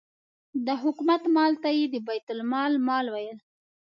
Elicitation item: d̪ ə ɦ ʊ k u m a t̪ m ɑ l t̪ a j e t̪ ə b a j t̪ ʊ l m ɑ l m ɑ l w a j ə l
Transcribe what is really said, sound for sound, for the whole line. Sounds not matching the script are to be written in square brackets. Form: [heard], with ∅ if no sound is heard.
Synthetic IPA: d̪ ə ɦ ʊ k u m a t̪ m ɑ l t̪ a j e [d̪] ə b a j t̪ ʊ l m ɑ l m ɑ l w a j ə l